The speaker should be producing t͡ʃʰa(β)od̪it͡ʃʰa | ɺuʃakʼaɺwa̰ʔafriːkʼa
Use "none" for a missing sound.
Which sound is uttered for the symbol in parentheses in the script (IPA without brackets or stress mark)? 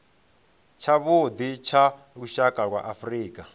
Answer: β